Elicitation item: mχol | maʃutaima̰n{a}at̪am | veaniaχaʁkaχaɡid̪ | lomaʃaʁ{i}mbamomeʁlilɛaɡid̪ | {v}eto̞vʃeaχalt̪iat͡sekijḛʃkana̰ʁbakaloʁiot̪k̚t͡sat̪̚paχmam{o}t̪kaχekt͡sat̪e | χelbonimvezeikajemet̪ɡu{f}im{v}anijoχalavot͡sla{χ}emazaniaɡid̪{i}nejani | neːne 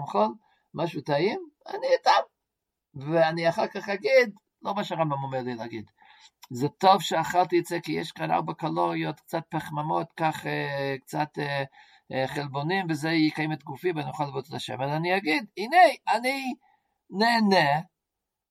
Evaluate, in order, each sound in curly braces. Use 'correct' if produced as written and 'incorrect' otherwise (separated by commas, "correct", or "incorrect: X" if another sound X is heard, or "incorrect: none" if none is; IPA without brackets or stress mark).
incorrect: i, incorrect: a, incorrect: z, correct, correct, correct, incorrect: ʃ, correct